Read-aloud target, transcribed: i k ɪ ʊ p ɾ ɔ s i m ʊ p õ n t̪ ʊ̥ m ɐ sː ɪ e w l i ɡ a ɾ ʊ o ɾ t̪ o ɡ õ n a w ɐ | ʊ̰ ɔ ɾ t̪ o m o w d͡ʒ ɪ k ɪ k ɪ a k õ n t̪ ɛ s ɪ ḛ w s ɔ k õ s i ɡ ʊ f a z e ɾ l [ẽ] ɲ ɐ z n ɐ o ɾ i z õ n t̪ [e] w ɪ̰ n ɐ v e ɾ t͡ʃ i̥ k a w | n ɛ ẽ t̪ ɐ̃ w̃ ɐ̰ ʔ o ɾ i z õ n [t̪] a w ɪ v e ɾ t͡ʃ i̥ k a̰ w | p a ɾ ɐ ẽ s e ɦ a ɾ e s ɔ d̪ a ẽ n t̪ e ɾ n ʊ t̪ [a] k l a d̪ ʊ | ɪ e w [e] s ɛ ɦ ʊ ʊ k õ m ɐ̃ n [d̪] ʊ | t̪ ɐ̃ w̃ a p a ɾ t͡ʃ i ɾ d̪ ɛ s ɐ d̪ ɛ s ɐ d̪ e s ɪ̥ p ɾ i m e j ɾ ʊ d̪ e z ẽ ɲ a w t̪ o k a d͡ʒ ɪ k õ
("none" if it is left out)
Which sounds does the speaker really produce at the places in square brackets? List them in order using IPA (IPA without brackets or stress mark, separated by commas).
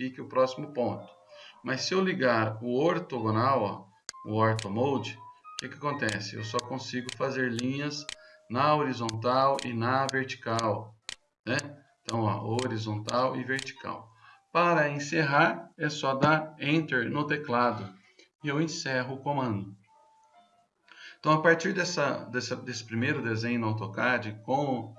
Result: ĩ, a, t̪, e, ẽ, d̪